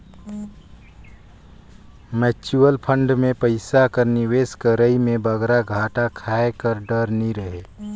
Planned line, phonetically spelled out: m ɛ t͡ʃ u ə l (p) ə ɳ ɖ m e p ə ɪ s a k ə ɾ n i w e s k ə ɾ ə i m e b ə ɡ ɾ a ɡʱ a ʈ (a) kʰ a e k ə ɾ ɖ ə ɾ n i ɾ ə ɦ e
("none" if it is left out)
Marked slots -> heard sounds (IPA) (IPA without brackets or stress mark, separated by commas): pʰ, a